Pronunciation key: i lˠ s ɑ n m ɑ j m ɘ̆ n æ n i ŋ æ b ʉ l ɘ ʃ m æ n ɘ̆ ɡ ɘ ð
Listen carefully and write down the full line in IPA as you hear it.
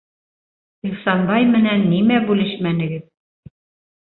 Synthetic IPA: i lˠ s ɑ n b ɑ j m ɘ̆ n æ nː i m æ b ʉ l ɘ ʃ m æ n ɘ̆ ɡ ɘ ð